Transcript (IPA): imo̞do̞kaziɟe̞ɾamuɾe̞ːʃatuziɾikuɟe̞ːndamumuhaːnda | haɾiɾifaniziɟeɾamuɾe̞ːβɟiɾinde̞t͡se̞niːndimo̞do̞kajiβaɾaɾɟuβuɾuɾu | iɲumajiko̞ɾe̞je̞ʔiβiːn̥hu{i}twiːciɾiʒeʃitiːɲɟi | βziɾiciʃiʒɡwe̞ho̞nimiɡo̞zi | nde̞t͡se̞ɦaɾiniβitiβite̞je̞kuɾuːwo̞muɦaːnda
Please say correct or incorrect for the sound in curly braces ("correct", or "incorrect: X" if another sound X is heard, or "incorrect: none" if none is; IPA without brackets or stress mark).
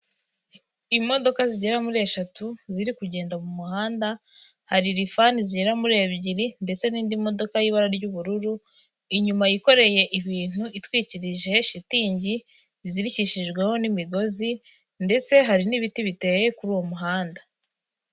correct